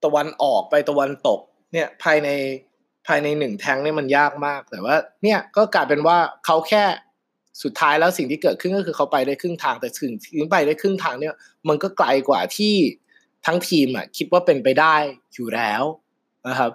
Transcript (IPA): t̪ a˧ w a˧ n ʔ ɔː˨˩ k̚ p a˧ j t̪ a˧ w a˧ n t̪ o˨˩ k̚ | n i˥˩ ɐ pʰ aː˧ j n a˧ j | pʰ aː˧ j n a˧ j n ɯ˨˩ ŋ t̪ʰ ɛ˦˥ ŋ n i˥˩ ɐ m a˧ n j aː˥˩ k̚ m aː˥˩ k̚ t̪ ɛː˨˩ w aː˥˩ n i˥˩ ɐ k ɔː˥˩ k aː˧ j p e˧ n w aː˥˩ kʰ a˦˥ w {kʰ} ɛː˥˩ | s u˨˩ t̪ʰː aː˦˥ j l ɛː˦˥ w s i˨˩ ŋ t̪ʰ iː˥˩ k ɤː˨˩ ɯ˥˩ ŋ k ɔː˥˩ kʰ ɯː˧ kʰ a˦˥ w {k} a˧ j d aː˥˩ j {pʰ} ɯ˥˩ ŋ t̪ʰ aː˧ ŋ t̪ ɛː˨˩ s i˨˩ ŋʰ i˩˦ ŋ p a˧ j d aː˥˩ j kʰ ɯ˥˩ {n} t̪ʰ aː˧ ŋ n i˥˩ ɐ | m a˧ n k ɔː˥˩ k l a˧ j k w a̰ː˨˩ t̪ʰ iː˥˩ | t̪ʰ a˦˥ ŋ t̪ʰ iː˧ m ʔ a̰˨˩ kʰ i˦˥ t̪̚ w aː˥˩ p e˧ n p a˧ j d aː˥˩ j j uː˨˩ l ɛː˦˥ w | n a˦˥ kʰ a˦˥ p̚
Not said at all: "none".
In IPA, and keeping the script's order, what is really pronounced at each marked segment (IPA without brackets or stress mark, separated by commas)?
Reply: kʰ, p, kʰ, ŋ